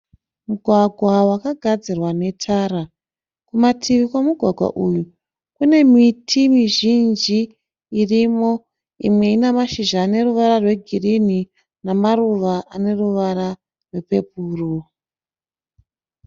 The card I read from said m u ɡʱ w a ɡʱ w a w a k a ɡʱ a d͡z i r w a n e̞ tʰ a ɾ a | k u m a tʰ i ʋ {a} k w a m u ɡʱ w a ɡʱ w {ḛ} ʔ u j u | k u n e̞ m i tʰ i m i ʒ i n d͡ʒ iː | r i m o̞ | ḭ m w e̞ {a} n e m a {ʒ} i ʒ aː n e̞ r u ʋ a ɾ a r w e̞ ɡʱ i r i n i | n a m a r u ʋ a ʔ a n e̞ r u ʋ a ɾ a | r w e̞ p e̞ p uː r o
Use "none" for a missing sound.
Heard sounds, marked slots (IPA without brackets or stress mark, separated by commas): i, a̰, i, ʃ